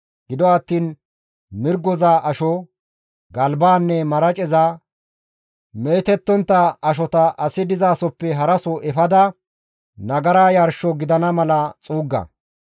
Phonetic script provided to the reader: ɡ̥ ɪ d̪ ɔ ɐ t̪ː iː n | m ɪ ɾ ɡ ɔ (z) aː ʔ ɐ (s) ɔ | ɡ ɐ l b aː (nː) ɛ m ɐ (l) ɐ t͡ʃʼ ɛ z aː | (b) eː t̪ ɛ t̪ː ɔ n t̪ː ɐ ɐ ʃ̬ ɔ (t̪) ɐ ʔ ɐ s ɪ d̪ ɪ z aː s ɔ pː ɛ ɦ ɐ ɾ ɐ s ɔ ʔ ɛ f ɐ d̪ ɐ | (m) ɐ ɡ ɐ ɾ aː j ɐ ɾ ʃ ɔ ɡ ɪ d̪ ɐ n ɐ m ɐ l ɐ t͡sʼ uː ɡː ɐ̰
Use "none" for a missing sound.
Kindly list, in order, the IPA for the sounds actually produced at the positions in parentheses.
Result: z, ʃ, nː, ɾ, m, t̪, n

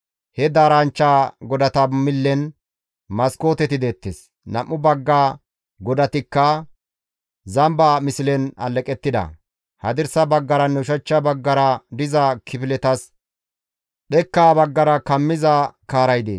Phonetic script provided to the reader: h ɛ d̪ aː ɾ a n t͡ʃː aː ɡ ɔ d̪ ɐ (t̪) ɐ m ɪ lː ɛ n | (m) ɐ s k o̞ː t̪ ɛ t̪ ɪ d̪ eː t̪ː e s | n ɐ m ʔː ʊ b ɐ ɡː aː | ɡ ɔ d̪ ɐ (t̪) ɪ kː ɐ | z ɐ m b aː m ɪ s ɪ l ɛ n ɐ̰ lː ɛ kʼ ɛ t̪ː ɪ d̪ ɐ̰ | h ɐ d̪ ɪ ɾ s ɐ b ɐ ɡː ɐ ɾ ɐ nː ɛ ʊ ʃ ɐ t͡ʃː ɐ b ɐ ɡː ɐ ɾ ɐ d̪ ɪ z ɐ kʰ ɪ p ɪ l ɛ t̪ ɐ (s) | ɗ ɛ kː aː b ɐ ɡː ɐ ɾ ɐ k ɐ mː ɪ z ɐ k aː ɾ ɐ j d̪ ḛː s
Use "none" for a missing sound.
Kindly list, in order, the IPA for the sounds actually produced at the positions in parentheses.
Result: t̪, m, t̪, s

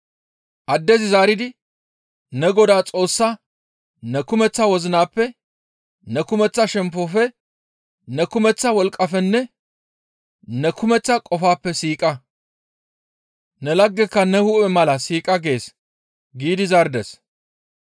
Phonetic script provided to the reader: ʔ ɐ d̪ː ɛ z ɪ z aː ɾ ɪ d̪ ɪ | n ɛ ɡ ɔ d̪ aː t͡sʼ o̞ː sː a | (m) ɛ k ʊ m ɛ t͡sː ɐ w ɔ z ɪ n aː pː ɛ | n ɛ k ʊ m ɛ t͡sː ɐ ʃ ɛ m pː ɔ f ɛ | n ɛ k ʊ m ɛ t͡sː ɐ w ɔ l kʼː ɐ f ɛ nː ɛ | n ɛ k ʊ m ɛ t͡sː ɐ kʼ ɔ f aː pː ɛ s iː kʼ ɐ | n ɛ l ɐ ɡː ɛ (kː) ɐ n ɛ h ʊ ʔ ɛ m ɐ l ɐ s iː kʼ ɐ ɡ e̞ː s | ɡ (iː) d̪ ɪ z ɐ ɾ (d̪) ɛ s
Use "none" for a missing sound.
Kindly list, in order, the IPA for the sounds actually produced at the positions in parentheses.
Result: n, kː, iː, d̪

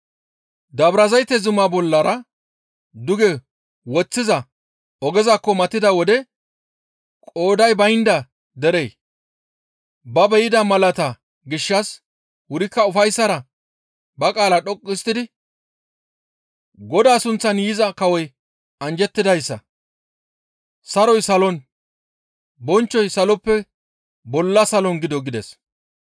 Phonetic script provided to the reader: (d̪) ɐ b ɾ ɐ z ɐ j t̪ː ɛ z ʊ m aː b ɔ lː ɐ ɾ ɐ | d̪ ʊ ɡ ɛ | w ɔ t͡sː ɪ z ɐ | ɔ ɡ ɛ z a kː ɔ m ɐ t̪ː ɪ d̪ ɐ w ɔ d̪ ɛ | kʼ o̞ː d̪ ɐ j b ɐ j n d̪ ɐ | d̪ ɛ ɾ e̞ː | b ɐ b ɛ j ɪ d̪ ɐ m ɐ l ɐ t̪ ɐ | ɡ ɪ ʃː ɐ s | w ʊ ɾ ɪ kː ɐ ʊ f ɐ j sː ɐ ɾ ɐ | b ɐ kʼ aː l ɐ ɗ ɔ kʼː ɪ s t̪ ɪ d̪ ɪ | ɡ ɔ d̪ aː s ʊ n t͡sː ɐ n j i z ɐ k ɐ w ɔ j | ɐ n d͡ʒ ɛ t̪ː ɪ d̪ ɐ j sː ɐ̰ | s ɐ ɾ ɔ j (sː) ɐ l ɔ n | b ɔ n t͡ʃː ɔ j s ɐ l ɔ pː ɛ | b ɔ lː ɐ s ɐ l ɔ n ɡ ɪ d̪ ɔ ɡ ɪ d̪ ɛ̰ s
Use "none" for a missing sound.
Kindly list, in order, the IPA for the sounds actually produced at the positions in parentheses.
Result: d̪, s

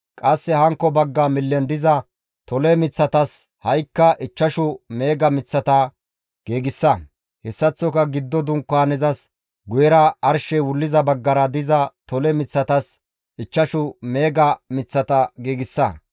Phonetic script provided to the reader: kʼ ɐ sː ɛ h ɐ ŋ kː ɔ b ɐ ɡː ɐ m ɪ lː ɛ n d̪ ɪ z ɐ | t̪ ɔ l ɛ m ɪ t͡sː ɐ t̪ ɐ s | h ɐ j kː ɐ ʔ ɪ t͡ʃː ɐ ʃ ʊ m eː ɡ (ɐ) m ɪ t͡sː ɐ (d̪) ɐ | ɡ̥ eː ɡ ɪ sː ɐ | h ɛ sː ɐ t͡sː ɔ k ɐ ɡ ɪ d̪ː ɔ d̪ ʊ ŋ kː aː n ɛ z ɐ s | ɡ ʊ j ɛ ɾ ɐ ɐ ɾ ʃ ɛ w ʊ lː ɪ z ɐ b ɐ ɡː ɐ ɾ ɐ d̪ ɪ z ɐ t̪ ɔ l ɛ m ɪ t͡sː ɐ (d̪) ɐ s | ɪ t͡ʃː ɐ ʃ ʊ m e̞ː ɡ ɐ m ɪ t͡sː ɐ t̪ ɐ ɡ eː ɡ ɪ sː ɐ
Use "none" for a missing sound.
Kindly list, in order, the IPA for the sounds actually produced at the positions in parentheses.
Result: ɐ, t̪, t̪

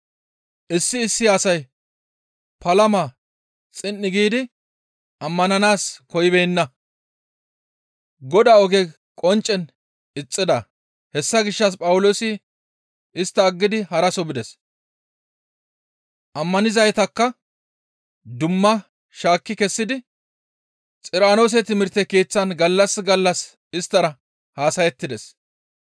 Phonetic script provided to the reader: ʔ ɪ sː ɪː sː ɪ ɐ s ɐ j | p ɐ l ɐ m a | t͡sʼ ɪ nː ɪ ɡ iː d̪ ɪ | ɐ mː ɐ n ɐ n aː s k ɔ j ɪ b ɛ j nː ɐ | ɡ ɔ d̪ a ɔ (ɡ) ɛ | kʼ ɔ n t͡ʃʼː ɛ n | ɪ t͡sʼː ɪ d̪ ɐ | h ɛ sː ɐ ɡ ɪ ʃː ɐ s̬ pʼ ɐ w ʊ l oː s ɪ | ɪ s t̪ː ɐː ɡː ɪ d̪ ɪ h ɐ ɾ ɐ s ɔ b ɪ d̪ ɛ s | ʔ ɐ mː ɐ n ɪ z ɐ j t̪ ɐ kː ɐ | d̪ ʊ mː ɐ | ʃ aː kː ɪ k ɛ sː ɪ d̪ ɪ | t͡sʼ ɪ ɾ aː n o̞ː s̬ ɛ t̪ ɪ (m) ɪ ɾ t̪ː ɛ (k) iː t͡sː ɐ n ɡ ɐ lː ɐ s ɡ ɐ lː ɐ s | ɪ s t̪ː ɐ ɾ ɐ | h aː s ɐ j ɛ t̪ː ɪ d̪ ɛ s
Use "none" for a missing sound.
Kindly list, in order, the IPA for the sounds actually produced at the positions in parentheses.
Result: ɡ, m, k

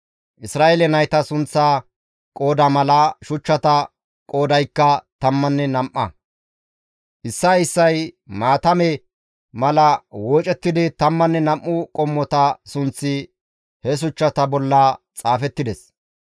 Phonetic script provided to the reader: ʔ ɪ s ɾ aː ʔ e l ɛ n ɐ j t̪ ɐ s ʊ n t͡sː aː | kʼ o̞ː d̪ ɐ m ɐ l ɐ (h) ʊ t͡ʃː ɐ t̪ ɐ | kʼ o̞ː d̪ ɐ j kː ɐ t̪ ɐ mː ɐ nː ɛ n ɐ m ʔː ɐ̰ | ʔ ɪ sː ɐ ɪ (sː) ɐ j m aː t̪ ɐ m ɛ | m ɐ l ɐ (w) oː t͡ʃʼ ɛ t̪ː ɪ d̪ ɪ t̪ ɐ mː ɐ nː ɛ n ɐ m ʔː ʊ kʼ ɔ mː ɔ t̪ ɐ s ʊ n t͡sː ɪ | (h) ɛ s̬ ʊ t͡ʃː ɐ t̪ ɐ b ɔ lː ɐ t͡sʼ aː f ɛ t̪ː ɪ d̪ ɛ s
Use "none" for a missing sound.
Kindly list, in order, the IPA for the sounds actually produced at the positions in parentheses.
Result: ʃ, sː, w, h

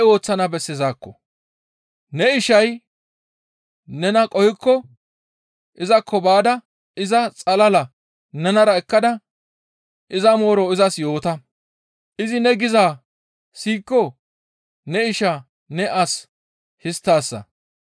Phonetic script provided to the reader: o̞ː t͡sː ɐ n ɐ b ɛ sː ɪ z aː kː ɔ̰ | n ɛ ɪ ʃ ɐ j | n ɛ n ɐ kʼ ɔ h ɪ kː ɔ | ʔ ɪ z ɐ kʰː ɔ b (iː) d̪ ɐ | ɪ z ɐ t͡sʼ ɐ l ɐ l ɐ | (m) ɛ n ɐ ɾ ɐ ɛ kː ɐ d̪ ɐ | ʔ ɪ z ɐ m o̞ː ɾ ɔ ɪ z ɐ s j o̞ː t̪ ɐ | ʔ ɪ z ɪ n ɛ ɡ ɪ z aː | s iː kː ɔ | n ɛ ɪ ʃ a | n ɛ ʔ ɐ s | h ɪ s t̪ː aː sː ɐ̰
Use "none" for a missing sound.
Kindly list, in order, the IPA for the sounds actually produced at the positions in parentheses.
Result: aː, n

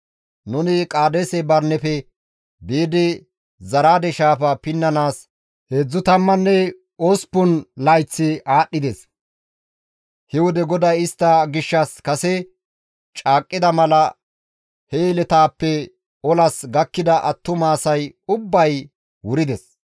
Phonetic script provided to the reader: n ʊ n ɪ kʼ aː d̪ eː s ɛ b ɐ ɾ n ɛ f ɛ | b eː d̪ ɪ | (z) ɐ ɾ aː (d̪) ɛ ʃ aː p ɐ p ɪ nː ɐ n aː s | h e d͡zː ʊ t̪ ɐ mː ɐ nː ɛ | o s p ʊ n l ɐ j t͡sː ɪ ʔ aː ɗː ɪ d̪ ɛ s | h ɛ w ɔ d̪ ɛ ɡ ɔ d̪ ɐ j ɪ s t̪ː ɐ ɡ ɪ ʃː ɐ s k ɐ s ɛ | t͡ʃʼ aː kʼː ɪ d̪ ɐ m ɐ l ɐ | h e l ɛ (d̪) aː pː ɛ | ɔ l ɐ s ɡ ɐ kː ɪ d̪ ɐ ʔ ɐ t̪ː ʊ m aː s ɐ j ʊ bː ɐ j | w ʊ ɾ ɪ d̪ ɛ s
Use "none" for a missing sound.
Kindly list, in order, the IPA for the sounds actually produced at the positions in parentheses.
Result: z, d̪, t̪

